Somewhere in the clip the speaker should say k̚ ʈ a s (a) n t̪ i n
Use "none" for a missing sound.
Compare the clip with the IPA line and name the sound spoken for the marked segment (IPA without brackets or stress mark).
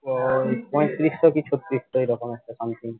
a